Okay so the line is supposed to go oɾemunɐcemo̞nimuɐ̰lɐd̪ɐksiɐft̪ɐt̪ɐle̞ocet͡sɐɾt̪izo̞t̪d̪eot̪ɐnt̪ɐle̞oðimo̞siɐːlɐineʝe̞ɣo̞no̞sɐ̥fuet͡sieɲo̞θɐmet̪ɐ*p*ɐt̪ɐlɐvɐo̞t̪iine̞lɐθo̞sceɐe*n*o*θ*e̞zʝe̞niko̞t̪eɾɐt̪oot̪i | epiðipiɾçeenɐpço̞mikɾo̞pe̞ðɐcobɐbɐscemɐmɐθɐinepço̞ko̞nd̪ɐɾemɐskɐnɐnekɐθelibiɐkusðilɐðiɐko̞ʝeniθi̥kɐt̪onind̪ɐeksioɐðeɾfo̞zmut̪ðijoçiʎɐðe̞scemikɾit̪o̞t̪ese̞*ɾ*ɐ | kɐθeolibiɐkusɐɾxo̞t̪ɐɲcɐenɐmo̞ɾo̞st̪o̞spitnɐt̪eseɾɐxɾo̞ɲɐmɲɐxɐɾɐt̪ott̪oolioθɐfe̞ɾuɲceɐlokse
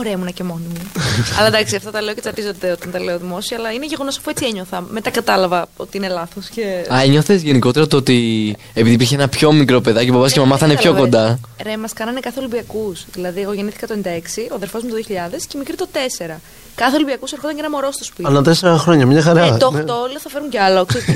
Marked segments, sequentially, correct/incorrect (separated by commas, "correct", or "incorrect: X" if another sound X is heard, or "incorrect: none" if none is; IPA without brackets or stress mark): incorrect: k, incorrect: ɲ, correct, correct